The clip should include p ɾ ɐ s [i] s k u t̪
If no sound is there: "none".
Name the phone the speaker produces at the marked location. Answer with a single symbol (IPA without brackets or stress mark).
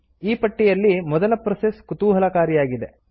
e